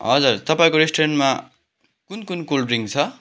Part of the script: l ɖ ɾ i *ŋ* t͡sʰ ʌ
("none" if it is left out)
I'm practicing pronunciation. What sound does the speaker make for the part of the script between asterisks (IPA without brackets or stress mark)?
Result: ŋ